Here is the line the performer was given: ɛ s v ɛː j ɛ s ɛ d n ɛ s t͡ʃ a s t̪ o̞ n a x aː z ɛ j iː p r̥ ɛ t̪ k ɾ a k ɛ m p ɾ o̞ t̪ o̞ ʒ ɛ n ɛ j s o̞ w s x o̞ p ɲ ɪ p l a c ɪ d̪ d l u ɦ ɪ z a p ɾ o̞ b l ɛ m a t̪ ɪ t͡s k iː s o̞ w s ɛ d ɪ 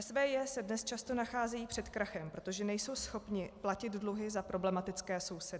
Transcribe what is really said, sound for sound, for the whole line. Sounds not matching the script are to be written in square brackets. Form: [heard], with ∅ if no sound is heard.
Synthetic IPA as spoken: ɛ s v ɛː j ɛ s ɛ d n ɛ s t͡ʃ a s t̪ o̞ n a x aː z ɛ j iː p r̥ ɛ t̪ k ɾ a [x] ɛ m p ɾ o̞ t̪ o̞ ʒ ɛ n ɛ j s o̞ w s x o̞ p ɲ ɪ p l a c ɪ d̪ d l u ɦ ɪ z a p ɾ o̞ b l ɛ m a t̪ ɪ t͡s k [ɛː] s o̞ w s ɛ d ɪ